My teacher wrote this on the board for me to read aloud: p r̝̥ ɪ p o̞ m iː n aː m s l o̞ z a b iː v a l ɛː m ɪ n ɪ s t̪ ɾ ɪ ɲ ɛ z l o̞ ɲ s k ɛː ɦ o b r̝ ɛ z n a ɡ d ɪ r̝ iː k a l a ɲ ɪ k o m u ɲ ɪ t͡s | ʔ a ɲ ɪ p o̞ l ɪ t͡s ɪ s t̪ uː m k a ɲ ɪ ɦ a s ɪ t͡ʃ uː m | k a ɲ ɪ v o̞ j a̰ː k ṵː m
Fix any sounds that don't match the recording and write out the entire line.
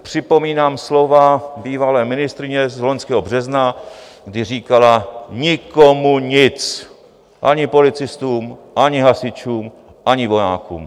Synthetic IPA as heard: p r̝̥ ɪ p o̞ m iː n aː m s l o̞ v a b iː v a l ɛː m ɪ n ɪ s t̪ ɾ ɪ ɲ ɛ z l o̞ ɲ s k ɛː ɦ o b r̝ ɛ z n a ɡ d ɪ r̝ iː k a l a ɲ ɪ k o m u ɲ ɪ t͡s | ʔ a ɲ ɪ p o̞ l ɪ t͡s ɪ s t̪ uː m ʔ a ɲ ɪ ɦ a s ɪ t͡ʃ uː m | ʔ a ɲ ɪ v o̞ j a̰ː k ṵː m